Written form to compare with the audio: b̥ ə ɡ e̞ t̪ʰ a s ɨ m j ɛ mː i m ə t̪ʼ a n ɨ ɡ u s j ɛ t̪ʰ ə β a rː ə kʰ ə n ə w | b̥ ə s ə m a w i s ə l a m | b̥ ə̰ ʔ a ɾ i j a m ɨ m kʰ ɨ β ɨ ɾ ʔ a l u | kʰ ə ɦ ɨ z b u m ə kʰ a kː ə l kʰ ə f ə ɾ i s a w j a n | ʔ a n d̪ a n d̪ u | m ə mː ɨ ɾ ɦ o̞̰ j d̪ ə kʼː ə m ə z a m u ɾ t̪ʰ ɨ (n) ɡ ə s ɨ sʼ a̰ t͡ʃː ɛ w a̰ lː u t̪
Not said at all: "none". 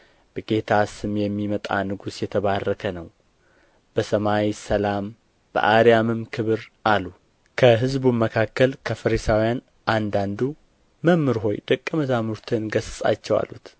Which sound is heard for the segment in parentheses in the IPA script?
n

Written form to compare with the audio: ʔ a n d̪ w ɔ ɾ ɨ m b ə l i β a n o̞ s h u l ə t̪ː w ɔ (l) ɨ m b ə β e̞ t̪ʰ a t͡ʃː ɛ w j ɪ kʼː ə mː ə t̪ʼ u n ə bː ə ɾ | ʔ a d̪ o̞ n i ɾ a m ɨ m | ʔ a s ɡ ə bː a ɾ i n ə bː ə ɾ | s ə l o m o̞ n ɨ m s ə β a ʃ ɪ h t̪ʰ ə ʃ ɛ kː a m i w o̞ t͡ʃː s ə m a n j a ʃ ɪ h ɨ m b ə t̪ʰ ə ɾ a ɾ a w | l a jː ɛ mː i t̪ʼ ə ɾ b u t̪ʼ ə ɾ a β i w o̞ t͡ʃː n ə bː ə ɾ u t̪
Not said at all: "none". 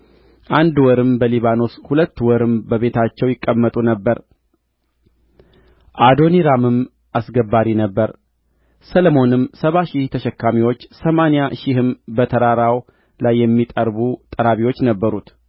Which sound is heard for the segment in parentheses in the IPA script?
ɾ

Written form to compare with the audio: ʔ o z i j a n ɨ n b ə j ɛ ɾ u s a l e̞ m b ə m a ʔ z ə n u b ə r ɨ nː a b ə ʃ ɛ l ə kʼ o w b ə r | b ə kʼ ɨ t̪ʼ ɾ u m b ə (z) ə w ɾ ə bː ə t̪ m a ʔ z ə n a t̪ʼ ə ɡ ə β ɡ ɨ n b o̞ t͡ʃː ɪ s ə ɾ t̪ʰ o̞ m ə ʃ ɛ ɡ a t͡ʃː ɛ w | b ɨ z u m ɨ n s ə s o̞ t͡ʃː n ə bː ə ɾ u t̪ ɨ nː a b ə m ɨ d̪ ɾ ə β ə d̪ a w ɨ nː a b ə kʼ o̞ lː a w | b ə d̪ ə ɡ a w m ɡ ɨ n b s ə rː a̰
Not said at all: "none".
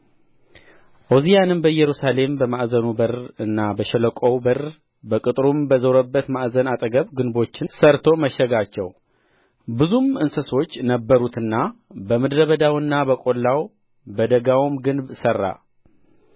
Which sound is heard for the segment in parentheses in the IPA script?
z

